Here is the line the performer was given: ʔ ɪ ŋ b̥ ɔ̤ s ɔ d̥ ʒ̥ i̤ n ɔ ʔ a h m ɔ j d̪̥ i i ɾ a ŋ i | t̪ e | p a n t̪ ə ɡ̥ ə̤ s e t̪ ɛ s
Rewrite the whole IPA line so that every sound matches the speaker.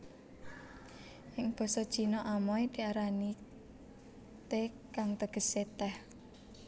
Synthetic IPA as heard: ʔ ɪ ŋ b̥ ɔ̤ s ɔ d̥ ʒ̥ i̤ n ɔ ʔ a m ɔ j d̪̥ i a ɾ a n i | t̪ e | k a ŋ t̪ ə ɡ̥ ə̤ s e t̪ ɛ h